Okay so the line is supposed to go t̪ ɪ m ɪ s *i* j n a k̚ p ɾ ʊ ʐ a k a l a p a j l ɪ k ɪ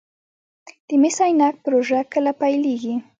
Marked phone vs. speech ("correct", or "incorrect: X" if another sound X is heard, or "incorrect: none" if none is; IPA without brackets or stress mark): incorrect: a